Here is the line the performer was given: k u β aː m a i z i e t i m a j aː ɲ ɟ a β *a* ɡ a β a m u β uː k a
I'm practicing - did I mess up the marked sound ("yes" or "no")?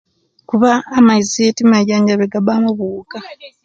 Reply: yes